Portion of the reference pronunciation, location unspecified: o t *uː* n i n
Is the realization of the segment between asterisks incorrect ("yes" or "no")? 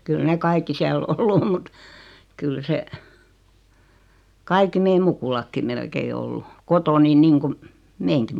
yes